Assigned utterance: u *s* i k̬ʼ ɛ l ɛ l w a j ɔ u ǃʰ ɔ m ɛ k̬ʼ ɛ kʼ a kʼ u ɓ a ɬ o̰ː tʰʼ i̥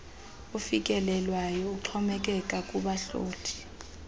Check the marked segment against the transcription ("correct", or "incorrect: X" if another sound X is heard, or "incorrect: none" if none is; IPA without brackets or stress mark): incorrect: f